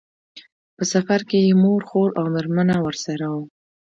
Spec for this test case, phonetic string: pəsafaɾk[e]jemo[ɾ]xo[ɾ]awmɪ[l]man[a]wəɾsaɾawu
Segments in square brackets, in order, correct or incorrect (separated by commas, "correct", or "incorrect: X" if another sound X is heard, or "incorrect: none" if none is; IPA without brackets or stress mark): correct, correct, correct, incorrect: ɾ, correct